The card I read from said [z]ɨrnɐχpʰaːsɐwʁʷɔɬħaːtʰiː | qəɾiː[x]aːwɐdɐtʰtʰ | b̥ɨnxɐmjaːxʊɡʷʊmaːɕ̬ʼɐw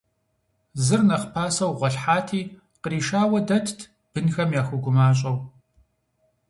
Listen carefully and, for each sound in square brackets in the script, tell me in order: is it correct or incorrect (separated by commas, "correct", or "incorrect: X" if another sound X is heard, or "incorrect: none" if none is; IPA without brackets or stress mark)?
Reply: correct, incorrect: ʃ